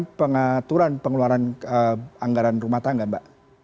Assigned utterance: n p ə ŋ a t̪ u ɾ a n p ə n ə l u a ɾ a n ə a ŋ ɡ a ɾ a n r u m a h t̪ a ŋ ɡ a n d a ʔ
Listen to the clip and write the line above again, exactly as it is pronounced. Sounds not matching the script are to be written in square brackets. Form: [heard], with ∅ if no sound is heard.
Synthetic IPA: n p ə ŋ a t̪ u ɾ a n p ə [ŋ] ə l u a ɾ a n ə a ŋ ɡ a ɾ a n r u m a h t̪ a ŋ ɡ a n [b] a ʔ

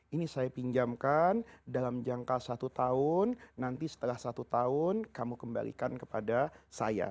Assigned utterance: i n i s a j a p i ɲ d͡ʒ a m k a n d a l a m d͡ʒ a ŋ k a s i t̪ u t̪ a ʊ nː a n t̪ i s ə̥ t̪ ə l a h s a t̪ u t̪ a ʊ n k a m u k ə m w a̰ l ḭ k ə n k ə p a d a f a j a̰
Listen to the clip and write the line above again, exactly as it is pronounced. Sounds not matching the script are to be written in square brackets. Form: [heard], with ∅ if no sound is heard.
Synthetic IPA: i n i s a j a p i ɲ d͡ʒ a m k a n d a l a m d͡ʒ a ŋ k a s [a] t̪ u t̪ a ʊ nː a n t̪ i s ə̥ t̪ ə l a h s a t̪ u t̪ a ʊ n k a m u k ə m [b] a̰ l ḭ k [a] n k ə p a d a [s] a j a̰

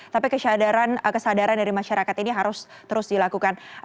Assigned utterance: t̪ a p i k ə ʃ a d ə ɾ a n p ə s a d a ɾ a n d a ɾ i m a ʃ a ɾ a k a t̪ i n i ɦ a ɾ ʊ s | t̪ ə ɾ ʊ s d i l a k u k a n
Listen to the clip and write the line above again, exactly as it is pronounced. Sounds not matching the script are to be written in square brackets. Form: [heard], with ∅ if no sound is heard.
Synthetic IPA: t̪ a p i k ə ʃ a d [a] ɾ a n [k] ə s a d a ɾ a n d a ɾ i m a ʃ a ɾ a k a t̪ i n i ɦ a ɾ ʊ s | t̪ ə ɾ ʊ s d i l a k u k a n

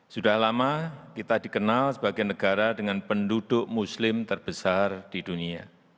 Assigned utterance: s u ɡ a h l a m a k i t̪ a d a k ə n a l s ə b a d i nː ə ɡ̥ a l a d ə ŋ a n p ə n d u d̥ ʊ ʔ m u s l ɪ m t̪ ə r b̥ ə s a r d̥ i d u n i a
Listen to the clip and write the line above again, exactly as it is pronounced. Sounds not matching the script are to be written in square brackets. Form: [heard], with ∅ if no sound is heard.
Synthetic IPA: s u [d] a h l a m a k i t̪ a d [i] k ə n a l s ə b a [ɡ] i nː ə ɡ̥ a [ɾ] a d ə ŋ a n p ə n d u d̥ ʊ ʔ m u s l ɪ m t̪ ə r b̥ ə s a r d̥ i d u n i a

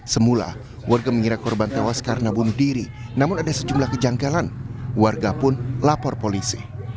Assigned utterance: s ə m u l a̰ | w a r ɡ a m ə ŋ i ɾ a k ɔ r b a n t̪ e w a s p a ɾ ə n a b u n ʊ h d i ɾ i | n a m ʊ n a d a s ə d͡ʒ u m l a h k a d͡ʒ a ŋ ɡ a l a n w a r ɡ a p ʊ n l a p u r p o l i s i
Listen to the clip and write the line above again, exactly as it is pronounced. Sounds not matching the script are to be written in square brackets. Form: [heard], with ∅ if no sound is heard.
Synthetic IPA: s ə m u l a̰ | w a r ɡ a m ə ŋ i ɾ a k ɔ r b a n t̪ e w a s [k] a ɾ ə n a b u n ʊ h d i ɾ i | n a m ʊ n a d a s ə d͡ʒ u m l a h k [ə] d͡ʒ a ŋ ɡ a l a n w a r ɡ a p ʊ n l a p [ɔ] r p o l i s i

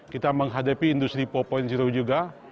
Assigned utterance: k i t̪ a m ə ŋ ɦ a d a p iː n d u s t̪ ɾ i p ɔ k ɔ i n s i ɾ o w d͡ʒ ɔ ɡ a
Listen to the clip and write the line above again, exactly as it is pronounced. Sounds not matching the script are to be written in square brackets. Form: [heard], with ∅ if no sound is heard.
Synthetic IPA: k i t̪ a m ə ŋ ɦ a d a p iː n d u s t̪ ɾ i p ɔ [p] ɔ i n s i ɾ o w d͡ʒ [u] ɡ a

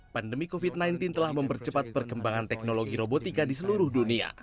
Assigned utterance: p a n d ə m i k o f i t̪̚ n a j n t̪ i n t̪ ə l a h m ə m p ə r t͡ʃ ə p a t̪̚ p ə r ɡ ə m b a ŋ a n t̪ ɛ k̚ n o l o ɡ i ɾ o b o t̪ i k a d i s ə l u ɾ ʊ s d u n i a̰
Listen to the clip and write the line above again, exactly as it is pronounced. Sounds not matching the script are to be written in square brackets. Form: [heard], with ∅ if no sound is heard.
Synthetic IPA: p a n d ə m i k o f i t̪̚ n a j n t̪ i n t̪ ə l a h m ə m p ə r t͡ʃ ə p a t̪̚ p ə r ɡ ə m b a ŋ a n t̪ ɛ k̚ n o l o ɡ i ɾ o b o t̪ i k a d i s ə l u ɾ ʊ [h] d u n i a̰

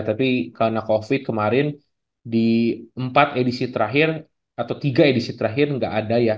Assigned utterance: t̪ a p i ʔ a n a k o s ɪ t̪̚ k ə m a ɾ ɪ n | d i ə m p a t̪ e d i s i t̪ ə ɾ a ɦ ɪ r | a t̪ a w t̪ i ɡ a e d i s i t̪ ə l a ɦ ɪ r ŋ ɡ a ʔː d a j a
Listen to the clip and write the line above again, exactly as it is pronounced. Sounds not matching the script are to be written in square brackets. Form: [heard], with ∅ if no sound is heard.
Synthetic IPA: t̪ a p i [k] a n a k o [f] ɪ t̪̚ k ə m a ɾ ɪ n | d i ə m p a t̪ e d i s i t̪ ə ɾ a ɦ ɪ r | a t̪ a w t̪ i ɡ a e d i s i t̪ ə [ɾ] a ɦ ɪ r ŋ ɡ a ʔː d a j a

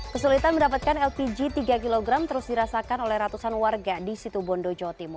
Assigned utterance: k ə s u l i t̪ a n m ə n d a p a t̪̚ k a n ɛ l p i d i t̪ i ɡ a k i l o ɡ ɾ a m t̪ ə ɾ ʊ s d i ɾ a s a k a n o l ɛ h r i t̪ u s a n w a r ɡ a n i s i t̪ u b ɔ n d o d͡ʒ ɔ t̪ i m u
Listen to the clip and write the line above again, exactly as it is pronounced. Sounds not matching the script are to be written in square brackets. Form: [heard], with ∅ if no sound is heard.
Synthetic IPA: k ə s u l i t̪ a n m ə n d a p a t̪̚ k a n ɛ l p i [d͡ʒ] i t̪ i ɡ a k i l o ɡ ɾ a m t̪ ə ɾ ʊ s d i ɾ a s a k a n o l ɛ h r [a] t̪ u s a n w a r ɡ a [d] i s i t̪ u b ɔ n d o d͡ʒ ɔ t̪ i m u

